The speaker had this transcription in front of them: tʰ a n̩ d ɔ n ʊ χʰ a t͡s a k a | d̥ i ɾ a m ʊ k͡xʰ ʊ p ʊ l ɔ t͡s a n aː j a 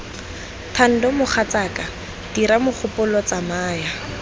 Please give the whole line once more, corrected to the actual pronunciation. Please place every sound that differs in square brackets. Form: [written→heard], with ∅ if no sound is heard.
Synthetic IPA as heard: tʰ a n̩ d ɔ [n→m] ʊ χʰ a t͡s a k a | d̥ i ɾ a m ʊ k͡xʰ ʊ p ʊ l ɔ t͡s a [n→m] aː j a